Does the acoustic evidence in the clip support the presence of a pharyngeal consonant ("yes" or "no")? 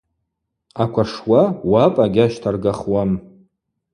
no